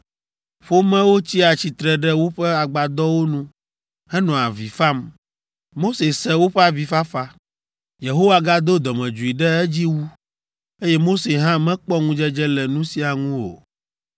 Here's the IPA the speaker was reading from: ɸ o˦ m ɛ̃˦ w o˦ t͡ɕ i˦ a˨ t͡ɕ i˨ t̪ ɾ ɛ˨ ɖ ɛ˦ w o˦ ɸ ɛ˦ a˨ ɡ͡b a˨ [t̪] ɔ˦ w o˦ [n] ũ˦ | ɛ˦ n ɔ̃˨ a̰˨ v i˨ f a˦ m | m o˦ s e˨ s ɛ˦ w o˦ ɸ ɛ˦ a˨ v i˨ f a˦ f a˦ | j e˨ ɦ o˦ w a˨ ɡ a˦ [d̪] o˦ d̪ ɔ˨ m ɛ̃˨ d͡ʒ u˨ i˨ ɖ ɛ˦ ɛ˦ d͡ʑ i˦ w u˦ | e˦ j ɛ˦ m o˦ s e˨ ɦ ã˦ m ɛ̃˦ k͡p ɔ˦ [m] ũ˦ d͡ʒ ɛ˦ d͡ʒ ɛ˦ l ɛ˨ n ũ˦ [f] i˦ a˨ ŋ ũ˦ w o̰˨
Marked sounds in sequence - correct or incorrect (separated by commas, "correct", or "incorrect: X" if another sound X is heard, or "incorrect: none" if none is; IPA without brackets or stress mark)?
incorrect: d̪, correct, correct, incorrect: ŋ, incorrect: s